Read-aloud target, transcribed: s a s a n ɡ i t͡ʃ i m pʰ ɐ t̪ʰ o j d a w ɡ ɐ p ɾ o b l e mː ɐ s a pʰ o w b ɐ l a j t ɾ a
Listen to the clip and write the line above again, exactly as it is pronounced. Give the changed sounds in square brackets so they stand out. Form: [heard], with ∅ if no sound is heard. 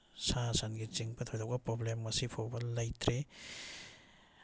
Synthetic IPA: s a s a n ɡ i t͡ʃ i [ŋ] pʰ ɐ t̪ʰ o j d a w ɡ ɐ p ɾ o b l e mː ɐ s [i] pʰ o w b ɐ l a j t ɾ [e]